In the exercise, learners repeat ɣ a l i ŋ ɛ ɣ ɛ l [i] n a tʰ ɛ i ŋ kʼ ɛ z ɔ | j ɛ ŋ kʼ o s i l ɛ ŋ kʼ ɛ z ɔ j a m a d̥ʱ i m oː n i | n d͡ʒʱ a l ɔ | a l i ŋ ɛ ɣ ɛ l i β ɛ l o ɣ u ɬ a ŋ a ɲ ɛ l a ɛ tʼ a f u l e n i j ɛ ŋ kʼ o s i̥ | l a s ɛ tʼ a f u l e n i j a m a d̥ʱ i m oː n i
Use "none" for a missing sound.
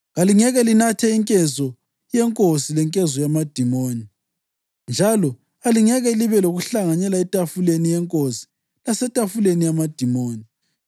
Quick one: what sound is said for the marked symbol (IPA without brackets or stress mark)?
i